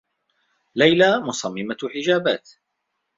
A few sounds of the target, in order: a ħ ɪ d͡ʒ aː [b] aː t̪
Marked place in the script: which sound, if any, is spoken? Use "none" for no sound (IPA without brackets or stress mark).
b